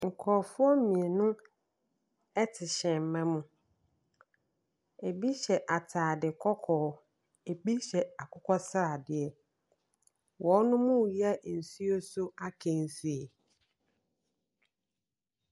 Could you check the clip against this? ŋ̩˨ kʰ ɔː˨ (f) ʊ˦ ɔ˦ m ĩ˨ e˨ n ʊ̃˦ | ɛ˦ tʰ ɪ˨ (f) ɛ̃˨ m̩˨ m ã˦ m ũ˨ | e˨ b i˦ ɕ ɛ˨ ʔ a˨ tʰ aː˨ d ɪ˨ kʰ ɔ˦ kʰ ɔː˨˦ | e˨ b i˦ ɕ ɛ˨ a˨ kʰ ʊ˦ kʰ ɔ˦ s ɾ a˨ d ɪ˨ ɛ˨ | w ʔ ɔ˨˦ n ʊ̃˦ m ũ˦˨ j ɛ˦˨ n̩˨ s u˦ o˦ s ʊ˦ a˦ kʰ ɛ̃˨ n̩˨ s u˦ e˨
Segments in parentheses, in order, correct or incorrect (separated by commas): correct, incorrect